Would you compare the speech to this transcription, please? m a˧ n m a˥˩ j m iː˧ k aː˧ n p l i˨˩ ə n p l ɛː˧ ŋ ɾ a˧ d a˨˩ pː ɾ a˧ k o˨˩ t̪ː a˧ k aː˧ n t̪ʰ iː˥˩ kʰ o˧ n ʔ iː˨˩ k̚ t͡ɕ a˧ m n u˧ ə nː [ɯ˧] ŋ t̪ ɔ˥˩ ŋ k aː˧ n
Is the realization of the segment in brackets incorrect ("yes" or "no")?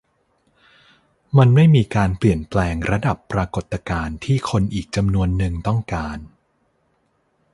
no